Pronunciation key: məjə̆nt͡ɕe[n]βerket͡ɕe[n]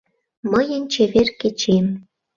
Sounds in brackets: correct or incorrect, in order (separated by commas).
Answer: incorrect, incorrect